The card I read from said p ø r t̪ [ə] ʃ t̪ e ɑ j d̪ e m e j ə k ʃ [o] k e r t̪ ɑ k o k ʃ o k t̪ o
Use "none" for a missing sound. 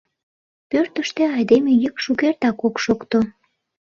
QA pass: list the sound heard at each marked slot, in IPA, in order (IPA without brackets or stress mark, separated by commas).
ə, u